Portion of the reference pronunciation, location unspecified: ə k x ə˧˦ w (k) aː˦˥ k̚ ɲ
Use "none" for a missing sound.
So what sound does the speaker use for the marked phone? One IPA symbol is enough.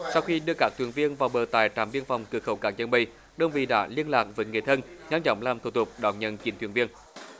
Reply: k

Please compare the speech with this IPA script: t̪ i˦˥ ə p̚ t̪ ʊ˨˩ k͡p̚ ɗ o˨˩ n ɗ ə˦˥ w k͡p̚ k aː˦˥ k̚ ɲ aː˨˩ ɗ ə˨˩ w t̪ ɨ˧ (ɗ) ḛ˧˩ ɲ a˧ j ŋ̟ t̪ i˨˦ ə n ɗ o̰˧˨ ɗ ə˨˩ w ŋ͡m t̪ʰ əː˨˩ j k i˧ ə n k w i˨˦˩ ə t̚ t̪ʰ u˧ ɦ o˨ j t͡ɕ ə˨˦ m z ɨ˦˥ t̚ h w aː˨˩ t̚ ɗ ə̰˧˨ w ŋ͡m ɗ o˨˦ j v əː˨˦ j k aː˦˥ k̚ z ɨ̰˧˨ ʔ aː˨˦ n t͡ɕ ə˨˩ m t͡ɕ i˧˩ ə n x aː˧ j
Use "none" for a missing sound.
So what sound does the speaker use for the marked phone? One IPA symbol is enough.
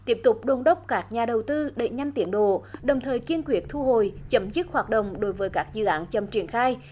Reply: ɗ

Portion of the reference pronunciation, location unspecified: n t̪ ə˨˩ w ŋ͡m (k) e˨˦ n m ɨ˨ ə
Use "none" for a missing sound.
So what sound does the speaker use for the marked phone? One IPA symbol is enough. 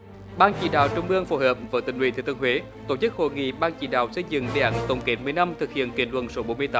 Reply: k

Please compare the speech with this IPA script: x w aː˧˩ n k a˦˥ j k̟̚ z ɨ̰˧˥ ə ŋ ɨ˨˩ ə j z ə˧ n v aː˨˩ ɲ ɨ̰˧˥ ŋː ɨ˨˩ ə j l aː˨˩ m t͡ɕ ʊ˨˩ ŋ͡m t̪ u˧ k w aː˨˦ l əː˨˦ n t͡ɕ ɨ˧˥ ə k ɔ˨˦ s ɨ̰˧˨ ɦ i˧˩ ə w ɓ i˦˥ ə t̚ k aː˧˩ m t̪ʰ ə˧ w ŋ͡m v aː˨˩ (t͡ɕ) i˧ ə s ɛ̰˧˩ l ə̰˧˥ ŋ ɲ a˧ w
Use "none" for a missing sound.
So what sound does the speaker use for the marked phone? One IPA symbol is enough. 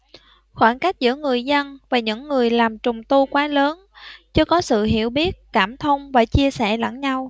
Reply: t͡ɕ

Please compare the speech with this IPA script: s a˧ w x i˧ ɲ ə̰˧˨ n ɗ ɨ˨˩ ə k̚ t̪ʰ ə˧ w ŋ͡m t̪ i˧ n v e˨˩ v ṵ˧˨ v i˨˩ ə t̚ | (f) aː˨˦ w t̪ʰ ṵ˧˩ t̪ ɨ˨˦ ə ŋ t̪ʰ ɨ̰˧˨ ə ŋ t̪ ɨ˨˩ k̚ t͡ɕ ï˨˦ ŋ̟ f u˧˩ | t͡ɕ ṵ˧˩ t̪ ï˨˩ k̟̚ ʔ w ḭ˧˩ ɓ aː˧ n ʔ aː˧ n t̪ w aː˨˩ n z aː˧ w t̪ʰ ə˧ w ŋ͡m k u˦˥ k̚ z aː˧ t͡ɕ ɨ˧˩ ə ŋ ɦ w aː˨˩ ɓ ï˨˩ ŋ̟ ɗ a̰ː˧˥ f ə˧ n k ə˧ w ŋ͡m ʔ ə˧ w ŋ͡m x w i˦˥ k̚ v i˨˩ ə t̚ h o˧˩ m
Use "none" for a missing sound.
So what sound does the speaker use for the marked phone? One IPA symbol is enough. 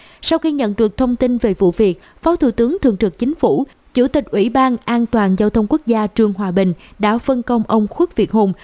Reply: f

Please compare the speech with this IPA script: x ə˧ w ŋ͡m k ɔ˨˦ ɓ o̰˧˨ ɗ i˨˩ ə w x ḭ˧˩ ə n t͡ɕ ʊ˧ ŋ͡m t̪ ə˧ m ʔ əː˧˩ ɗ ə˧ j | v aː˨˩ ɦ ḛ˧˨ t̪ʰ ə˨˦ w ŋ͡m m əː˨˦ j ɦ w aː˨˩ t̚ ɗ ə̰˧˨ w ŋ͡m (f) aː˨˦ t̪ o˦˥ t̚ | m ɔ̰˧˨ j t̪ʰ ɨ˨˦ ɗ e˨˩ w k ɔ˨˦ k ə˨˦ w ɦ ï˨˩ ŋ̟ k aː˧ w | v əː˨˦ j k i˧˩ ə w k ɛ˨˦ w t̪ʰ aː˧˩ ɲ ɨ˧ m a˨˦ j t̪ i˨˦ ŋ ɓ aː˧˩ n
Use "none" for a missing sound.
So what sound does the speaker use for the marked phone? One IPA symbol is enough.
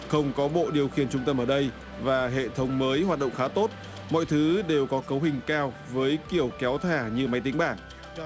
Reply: x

